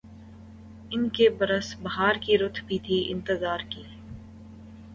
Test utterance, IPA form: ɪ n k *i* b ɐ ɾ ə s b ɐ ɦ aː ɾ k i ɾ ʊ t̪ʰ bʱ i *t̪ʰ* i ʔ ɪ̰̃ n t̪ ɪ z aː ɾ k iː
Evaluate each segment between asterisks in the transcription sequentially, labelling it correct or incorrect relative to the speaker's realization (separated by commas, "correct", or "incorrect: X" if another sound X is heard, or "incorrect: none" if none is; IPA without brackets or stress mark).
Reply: incorrect: e, correct